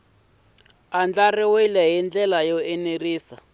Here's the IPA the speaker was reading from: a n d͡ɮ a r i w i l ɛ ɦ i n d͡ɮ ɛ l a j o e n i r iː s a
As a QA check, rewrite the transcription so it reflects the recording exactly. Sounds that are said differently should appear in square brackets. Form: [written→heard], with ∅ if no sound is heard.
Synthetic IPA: a n d͡ɮ a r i w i l ɛ ɦ i n d͡ɮ ɛ l a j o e n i r iː s a